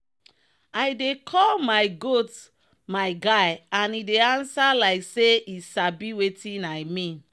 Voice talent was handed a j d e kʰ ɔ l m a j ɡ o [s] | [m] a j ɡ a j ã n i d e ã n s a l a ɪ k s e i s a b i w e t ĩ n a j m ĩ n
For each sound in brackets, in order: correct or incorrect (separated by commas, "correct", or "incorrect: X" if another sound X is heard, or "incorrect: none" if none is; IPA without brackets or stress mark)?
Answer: incorrect: t, correct